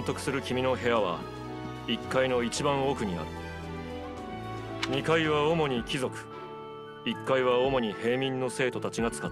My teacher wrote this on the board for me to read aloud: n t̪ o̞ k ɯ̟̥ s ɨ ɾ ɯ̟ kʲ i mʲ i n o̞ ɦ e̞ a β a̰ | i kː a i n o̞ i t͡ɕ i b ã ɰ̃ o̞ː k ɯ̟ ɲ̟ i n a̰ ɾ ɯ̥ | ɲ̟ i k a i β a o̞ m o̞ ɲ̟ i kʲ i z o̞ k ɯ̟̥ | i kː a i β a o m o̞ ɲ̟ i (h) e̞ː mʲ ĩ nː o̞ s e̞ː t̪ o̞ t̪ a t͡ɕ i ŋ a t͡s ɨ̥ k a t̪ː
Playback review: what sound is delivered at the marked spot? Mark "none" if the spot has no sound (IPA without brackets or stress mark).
h